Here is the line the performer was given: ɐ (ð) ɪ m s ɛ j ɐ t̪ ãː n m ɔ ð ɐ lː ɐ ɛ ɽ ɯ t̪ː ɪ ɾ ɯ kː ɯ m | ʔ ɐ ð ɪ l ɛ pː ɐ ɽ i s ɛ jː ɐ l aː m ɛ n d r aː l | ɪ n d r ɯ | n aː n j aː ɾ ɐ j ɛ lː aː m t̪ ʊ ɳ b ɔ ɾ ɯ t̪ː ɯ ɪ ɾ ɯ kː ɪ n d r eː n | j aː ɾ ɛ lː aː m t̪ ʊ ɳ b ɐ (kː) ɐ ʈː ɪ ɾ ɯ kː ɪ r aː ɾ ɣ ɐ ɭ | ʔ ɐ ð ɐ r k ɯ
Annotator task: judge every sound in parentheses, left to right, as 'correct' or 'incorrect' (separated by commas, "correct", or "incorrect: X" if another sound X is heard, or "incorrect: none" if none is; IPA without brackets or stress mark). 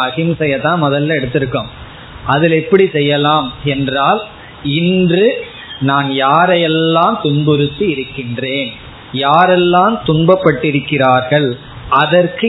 incorrect: ɣ, incorrect: pː